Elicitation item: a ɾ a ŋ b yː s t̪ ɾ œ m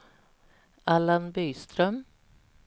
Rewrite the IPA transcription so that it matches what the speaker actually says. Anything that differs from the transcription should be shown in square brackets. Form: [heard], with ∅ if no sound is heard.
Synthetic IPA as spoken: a [l] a [n] b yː s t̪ ɾ œ m